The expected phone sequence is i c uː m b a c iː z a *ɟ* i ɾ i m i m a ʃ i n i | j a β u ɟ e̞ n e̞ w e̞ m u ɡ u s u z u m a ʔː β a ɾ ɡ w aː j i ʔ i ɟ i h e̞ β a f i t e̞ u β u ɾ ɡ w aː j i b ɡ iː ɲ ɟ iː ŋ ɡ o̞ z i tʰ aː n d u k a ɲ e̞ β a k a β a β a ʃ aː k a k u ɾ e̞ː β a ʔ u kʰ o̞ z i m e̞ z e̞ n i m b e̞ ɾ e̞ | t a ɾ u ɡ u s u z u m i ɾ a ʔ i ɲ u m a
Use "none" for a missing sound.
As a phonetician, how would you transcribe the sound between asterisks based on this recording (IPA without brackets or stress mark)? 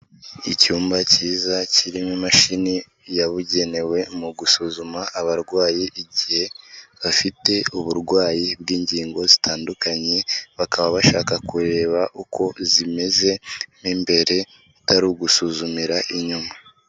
c